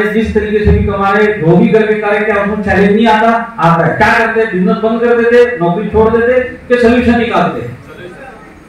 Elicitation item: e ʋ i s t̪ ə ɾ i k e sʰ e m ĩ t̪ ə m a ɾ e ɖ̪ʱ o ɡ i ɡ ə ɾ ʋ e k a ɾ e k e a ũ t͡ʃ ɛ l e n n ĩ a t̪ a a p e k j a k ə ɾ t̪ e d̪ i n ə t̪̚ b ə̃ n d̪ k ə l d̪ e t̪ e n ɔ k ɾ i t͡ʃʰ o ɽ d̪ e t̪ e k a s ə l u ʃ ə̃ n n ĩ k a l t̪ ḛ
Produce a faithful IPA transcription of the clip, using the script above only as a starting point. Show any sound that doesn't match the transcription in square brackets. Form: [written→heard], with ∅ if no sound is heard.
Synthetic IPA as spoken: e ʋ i s t̪ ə ɾ i k e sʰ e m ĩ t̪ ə m a ɾ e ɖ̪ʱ o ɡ i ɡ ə ɾ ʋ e k a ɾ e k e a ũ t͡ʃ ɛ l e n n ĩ a t̪ a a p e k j a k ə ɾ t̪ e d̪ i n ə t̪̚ b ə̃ n d̪ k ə [l→ɾ] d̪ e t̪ e n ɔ k ɾ i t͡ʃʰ o ɽ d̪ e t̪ e k [a→e] s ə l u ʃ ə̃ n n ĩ k a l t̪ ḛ